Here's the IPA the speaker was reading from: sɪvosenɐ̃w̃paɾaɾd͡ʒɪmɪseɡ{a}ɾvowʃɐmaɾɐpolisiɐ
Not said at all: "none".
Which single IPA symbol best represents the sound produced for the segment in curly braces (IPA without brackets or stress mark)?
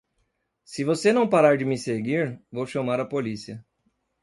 i